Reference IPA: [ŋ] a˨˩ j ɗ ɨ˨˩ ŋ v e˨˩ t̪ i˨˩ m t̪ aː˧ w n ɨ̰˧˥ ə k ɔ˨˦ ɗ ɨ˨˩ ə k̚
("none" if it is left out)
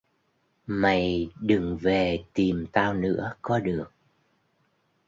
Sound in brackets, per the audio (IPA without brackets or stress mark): m